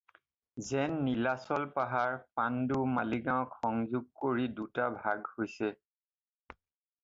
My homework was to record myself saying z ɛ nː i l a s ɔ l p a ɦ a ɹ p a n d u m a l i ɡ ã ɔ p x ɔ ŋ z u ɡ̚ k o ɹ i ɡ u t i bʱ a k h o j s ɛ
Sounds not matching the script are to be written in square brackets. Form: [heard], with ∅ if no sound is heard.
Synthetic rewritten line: z ɛ nː i l a s ɔ l p a ɦ a ɹ p a n d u m a l i ɡ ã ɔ [k] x ɔ ŋ z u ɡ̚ k o ɹ i [d] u t [a] bʱ a [ɡ] h o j s ɛ